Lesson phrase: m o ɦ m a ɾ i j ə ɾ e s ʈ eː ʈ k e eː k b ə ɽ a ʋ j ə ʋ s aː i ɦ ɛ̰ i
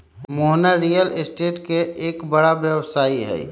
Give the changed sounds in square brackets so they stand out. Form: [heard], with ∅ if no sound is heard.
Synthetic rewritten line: m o ɦ [n] a ɾ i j ə [l] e s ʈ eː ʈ k e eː k b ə ɽ a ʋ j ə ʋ s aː i ɦ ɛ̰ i